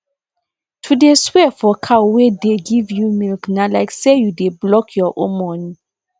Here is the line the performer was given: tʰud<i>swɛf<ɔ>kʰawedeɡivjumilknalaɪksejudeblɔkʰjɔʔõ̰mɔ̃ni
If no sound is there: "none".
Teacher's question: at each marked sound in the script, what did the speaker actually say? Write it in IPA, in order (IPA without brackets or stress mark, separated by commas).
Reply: e, ɔ